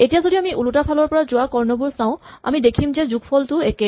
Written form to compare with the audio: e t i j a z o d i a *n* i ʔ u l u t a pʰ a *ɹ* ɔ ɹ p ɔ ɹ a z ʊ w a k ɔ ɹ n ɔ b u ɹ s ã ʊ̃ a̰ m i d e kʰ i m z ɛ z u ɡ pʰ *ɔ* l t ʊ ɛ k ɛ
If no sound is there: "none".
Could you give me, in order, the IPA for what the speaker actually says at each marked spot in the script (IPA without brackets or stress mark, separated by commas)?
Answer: m, l, ɔ